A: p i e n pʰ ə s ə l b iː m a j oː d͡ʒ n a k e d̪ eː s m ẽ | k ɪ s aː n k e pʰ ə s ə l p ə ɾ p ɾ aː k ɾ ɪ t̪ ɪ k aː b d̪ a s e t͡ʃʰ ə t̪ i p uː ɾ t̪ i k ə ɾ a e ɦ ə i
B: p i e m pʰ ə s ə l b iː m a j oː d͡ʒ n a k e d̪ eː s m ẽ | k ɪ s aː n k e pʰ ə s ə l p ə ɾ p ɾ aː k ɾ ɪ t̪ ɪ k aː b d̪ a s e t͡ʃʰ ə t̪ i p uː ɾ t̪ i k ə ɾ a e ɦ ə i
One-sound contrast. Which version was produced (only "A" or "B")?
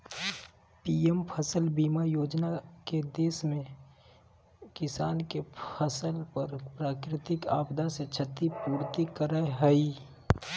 B